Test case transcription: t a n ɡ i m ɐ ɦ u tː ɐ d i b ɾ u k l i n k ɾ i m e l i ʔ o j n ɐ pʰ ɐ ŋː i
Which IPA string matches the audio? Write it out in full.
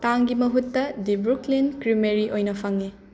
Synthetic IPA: t a ŋ ɡ i m ɐ ɦ u tː ɐ d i b ɾ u k l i n k ɾ i m e ɾ i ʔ o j n ɐ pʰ ɐ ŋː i